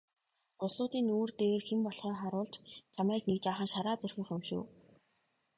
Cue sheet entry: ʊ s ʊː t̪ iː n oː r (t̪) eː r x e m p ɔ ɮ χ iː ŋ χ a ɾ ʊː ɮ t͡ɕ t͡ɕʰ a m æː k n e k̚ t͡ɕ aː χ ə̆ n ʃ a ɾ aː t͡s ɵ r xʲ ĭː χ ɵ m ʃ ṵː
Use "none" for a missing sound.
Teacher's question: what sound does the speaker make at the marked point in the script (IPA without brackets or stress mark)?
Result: t̪